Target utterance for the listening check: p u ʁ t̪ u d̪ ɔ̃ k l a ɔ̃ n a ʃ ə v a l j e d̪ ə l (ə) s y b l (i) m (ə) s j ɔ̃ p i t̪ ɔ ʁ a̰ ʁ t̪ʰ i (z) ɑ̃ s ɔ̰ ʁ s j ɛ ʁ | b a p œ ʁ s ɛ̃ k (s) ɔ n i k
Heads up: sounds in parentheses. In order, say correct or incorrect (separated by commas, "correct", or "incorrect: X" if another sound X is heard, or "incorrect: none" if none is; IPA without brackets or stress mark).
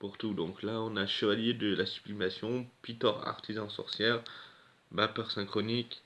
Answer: incorrect: a, correct, incorrect: a, correct, incorrect: χ